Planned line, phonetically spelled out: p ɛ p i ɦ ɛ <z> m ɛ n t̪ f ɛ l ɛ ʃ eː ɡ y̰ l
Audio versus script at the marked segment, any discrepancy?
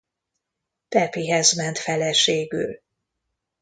no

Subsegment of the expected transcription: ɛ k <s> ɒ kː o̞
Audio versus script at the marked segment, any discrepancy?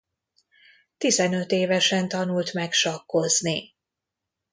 yes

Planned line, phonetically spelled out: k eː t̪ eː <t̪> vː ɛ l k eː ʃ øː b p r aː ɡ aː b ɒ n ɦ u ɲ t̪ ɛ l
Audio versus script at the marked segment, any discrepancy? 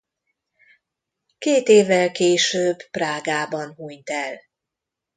yes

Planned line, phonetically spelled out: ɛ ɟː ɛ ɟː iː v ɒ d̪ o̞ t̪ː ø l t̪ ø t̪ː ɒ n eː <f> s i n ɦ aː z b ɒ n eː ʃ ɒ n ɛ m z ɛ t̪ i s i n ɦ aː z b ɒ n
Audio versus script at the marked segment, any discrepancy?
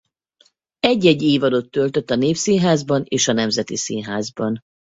no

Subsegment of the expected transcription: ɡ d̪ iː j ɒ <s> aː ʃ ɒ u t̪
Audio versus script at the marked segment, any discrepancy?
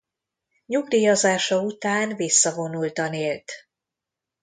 yes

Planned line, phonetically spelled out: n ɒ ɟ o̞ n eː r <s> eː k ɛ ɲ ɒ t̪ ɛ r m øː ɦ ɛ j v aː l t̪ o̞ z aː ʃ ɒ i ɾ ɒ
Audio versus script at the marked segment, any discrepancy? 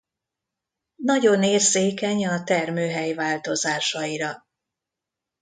no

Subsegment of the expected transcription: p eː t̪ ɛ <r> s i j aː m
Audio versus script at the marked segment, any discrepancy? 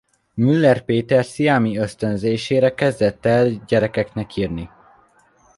no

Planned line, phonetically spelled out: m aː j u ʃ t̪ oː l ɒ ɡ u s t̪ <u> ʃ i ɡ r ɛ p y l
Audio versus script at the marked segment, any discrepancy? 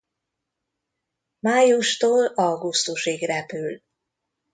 no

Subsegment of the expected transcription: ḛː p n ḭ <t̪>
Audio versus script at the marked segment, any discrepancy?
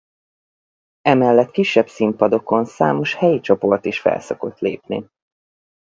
yes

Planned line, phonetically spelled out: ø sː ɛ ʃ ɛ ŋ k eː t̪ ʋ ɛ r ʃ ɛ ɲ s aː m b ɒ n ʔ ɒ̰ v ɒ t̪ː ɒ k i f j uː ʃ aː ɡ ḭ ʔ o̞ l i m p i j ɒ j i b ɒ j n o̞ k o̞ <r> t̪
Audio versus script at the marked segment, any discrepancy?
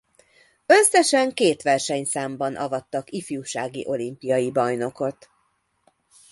yes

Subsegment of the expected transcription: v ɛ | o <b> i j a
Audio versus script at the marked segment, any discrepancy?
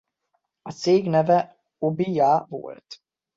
no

